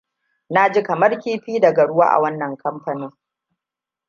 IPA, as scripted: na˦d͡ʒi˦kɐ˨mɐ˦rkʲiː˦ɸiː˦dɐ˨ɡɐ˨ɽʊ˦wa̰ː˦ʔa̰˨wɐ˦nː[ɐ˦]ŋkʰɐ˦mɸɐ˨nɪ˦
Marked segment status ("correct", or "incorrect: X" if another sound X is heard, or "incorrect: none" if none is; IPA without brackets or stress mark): incorrect: ɐ˨